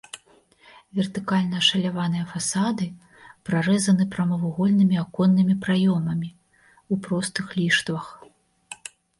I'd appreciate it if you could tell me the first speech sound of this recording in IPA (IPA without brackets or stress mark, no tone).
vʲ